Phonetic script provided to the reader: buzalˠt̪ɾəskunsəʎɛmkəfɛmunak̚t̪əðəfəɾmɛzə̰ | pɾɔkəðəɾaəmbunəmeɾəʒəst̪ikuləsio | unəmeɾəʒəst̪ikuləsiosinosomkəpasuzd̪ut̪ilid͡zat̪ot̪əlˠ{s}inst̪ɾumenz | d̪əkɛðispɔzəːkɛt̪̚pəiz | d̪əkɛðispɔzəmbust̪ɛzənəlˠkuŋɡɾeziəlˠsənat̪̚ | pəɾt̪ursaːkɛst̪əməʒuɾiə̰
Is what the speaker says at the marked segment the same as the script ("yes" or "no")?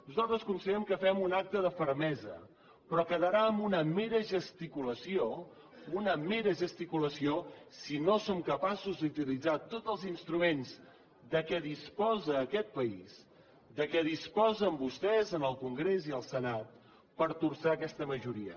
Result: no